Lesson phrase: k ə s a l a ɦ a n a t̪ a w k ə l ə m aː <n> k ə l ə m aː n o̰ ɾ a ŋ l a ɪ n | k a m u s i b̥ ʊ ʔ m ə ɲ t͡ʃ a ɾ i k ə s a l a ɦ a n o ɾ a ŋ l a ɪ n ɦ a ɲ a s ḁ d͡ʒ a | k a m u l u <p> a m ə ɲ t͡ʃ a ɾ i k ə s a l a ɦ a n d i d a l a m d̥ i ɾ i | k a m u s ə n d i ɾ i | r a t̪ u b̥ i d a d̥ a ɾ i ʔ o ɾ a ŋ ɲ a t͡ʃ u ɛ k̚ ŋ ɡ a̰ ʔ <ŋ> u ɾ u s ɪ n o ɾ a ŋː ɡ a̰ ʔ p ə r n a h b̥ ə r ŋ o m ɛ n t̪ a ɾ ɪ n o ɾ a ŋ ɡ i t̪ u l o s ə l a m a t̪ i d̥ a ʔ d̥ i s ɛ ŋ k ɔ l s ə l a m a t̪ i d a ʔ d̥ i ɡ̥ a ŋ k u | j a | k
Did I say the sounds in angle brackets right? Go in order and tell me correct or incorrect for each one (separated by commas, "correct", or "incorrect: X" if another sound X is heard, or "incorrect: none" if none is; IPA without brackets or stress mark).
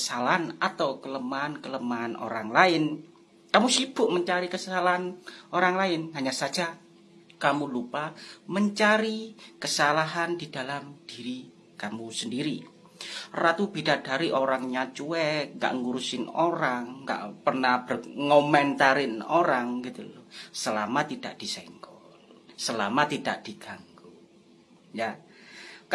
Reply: correct, correct, correct